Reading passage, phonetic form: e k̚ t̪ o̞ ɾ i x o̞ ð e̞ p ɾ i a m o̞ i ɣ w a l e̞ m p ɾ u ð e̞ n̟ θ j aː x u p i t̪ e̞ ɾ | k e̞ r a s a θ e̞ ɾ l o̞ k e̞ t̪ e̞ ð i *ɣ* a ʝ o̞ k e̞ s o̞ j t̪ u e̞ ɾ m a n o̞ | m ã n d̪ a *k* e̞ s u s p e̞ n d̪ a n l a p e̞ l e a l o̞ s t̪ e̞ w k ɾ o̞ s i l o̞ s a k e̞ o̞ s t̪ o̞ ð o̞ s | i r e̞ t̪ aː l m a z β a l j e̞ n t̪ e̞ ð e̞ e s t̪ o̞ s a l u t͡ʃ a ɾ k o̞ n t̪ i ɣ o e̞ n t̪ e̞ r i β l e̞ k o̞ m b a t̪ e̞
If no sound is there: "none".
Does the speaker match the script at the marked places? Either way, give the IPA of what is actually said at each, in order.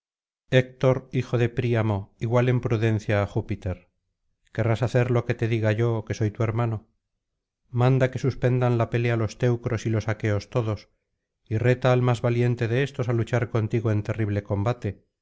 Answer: ɣ, k

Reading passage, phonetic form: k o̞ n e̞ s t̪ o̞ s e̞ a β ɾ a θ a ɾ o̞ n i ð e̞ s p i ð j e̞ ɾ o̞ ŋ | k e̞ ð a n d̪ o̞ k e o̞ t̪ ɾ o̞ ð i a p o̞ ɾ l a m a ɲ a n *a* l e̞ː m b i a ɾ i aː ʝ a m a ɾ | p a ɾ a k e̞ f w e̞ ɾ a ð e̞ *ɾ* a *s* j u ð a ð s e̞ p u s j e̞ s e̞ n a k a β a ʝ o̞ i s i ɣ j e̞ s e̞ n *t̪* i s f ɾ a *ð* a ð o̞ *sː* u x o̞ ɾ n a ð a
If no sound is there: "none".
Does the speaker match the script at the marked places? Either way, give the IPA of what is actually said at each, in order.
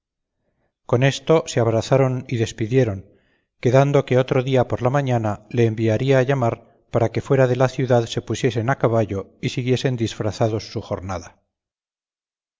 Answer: a, l, θ, d̪, θ, sː

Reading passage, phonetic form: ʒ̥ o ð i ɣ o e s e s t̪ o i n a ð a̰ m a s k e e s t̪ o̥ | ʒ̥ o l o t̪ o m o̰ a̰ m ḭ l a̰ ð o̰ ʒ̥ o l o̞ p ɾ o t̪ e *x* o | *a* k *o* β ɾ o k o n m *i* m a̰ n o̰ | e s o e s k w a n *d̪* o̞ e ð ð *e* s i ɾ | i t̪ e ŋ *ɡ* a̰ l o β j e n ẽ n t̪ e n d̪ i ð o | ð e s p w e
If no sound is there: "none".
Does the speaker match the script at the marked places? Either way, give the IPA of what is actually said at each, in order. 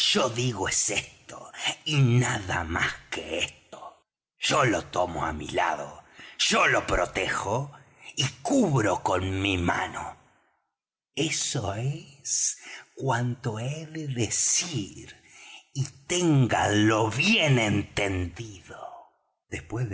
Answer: x, i, u, i, t̪, e, ɡ

